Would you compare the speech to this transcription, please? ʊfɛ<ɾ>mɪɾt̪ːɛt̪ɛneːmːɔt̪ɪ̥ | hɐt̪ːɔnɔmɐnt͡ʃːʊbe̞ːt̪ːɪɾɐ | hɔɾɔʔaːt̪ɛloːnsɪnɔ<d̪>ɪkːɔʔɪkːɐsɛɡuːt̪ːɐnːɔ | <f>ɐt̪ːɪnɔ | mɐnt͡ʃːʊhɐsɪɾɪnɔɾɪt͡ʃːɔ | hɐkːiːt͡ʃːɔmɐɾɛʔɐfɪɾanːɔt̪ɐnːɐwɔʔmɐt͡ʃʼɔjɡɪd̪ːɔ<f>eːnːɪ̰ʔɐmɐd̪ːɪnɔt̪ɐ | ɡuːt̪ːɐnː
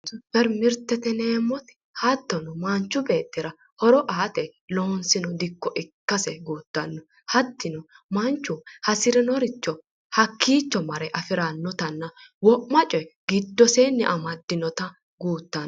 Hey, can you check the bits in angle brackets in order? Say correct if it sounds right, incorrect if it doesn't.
correct, correct, incorrect: h, incorrect: s

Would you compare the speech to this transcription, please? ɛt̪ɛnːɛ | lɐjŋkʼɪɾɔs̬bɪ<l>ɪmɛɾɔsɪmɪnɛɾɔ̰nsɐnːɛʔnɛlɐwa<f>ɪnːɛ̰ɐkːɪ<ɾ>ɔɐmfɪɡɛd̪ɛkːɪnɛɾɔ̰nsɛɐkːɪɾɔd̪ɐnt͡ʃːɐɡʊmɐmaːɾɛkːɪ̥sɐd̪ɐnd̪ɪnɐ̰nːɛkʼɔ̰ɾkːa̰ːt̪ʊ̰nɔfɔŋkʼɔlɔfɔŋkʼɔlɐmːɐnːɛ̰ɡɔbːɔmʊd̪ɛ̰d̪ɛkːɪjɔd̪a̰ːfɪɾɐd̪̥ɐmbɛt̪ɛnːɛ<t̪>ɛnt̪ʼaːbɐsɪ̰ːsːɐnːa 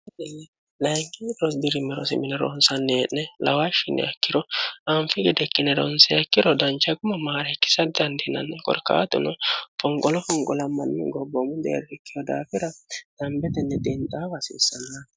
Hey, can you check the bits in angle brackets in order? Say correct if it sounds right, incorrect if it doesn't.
incorrect: ɾ, incorrect: ʃ, correct, incorrect: d̪

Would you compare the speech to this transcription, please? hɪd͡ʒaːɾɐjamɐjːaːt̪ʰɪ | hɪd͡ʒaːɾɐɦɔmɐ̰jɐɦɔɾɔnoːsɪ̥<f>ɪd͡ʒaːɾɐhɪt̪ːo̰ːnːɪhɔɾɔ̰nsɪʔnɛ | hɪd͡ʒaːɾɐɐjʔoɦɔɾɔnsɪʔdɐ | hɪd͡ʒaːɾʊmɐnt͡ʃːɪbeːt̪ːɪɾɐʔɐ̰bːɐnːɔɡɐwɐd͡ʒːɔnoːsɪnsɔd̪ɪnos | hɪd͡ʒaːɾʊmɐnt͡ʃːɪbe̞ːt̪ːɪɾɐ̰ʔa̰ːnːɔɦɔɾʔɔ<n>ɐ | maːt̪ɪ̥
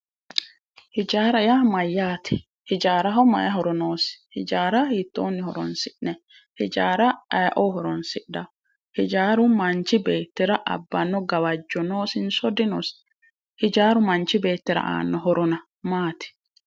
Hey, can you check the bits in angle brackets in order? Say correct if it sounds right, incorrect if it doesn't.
incorrect: h, correct

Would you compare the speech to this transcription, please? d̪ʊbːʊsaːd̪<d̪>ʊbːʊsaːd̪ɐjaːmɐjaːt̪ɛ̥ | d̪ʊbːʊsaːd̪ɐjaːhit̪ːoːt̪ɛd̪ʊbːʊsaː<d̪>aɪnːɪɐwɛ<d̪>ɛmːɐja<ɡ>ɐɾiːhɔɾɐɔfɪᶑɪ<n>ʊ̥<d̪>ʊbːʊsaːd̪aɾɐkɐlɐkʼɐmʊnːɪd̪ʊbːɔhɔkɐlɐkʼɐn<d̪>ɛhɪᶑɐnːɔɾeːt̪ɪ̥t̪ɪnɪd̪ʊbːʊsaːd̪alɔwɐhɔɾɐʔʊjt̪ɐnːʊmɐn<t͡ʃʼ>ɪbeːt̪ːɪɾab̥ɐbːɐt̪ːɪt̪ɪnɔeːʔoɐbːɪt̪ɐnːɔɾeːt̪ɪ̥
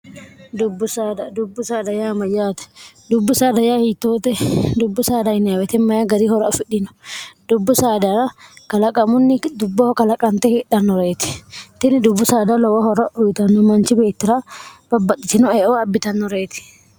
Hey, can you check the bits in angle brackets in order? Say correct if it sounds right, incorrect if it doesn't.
correct, correct, incorrect: t̪, correct, correct, correct, incorrect: t̪, incorrect: t͡ʃ

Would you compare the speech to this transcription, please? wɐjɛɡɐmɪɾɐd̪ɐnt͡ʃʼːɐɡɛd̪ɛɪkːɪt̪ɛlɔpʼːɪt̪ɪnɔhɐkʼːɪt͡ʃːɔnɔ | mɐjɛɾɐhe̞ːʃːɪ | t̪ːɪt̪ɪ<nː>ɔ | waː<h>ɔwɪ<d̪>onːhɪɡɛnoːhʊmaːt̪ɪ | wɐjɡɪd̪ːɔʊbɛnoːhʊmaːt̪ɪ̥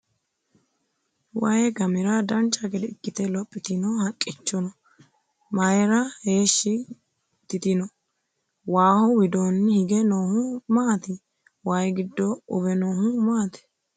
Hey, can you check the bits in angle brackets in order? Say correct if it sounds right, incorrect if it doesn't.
incorrect: n, correct, correct

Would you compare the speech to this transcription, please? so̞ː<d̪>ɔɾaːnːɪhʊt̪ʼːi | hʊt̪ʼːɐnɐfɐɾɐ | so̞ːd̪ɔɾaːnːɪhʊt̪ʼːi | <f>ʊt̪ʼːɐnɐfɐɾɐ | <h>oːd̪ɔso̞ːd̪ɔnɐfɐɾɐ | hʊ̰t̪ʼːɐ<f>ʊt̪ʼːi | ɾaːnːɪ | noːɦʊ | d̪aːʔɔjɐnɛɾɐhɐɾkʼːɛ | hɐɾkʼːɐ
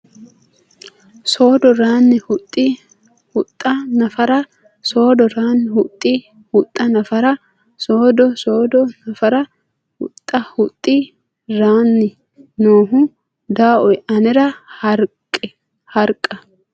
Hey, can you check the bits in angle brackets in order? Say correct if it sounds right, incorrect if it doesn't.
correct, incorrect: h, incorrect: s, incorrect: h

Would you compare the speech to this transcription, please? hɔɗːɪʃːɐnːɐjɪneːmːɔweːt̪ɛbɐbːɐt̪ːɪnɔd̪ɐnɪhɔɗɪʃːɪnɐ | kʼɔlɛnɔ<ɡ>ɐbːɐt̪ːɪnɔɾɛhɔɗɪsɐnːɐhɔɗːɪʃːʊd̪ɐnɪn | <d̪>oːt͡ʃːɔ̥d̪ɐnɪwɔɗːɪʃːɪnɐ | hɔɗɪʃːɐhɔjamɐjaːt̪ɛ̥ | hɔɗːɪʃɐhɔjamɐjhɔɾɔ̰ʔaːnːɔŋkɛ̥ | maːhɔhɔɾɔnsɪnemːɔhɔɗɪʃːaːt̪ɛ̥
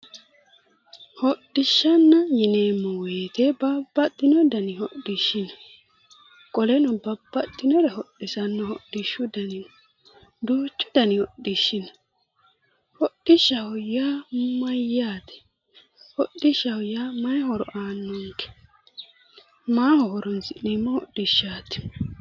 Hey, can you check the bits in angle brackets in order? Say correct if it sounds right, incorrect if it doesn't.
incorrect: b, correct

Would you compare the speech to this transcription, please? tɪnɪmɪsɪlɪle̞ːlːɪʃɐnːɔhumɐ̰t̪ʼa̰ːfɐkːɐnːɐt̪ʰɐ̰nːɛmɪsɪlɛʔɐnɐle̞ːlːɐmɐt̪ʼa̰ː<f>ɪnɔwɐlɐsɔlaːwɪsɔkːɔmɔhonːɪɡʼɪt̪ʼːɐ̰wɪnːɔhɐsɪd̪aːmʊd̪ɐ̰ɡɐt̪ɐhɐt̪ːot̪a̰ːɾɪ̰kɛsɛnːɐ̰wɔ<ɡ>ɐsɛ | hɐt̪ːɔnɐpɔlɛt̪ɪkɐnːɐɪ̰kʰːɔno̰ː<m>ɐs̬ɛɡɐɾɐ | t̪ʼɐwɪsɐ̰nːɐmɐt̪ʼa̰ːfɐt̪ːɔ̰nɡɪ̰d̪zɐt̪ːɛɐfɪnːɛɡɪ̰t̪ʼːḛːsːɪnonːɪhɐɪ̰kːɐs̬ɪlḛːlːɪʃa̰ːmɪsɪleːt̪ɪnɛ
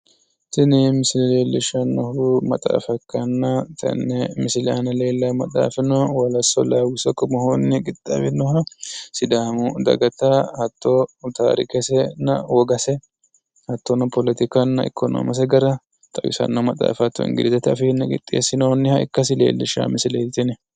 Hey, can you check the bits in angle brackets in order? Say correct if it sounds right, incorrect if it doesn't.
correct, correct, correct

